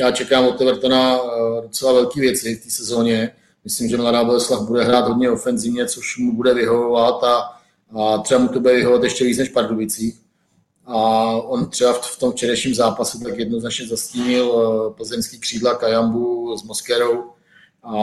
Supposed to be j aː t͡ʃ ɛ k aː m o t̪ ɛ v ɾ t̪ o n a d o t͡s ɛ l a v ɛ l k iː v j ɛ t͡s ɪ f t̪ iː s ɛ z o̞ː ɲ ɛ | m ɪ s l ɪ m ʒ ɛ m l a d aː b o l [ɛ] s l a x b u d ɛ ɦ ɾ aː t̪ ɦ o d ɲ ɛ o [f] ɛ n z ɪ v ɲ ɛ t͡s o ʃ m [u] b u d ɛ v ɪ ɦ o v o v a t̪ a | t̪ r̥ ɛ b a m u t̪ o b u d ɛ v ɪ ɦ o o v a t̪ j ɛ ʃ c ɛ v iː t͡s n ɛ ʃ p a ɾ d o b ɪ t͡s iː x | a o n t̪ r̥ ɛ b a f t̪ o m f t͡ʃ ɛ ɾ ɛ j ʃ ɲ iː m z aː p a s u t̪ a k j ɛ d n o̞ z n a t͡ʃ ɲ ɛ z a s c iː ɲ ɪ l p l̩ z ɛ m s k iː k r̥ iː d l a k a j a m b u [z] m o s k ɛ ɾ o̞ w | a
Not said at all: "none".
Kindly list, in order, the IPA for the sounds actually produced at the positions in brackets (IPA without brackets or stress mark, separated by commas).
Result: ɛ, f, u, z